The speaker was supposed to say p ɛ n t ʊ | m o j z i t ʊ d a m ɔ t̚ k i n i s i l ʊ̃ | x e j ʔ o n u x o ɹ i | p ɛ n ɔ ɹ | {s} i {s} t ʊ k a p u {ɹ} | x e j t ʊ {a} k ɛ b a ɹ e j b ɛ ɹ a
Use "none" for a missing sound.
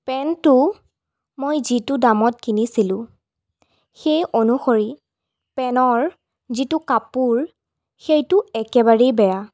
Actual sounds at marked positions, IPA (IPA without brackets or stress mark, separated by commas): z, none, ɹ, ɛ